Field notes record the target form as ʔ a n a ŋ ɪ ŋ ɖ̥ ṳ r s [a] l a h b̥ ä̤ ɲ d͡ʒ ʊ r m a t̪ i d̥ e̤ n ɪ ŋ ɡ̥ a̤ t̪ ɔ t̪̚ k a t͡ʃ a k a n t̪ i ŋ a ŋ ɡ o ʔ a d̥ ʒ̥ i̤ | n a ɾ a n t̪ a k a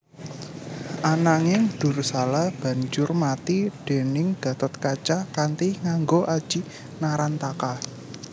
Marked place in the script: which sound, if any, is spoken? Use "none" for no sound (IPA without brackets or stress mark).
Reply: a